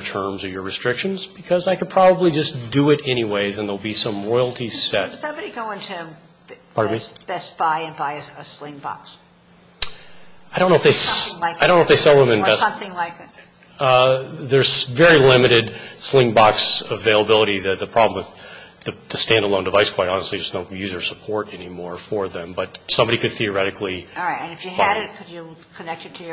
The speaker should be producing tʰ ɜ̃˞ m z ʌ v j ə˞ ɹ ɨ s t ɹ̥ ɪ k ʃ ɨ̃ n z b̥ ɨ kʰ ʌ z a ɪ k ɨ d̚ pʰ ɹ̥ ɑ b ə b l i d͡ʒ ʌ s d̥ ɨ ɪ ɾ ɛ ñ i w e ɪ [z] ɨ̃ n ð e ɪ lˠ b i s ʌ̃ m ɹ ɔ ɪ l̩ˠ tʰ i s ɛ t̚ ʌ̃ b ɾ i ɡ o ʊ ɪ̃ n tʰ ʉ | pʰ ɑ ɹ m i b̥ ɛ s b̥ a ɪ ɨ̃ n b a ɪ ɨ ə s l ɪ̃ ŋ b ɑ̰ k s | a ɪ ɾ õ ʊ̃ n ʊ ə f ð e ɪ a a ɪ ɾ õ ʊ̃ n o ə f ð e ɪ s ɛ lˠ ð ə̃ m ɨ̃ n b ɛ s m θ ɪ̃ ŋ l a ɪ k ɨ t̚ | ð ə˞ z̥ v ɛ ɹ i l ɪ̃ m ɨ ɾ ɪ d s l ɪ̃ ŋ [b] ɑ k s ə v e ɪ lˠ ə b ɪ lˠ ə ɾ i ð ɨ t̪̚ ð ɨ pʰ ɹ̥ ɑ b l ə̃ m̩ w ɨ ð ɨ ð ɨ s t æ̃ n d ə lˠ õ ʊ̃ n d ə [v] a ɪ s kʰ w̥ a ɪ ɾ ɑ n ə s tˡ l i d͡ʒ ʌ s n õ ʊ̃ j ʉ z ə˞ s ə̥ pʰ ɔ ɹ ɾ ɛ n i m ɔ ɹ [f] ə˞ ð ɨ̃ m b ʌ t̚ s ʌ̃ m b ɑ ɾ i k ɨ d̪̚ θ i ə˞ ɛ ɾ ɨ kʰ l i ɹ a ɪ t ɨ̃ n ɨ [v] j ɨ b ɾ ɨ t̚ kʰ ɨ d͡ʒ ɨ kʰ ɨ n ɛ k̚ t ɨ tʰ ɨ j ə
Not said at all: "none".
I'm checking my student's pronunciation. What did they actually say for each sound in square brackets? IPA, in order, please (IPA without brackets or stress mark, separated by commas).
z, b, v, f, f